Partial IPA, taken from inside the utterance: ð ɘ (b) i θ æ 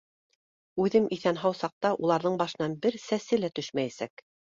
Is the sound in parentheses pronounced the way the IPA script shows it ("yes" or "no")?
no